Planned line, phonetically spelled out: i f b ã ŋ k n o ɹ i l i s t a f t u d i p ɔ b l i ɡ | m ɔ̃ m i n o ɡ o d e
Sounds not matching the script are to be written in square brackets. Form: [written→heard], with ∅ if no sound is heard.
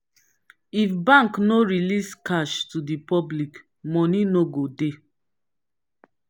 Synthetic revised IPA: i f b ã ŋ k n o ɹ i l i s [t→k] a [f→ʃ] t u d i p ɔ b l i [ɡ→k] | m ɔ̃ [m→n] i n o ɡ o d e